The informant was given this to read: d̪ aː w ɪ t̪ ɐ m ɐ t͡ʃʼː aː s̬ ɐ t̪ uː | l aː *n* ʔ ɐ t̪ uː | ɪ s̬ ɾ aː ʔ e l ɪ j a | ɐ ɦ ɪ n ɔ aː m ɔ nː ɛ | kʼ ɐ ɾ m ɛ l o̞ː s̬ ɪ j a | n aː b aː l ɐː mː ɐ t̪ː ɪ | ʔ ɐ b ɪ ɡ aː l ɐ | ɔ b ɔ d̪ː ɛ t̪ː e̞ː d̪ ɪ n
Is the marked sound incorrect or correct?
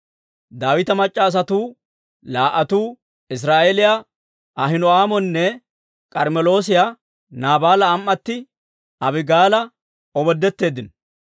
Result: incorrect